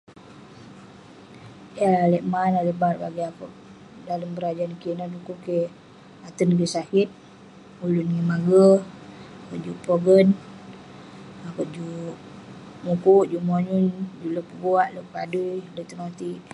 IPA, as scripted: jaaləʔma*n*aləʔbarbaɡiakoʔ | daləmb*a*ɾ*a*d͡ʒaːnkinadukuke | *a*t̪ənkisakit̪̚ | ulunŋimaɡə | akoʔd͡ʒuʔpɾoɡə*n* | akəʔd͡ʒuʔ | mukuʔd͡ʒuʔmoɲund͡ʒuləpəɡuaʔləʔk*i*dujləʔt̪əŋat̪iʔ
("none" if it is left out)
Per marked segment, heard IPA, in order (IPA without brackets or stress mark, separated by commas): n, ə, a, a, n, a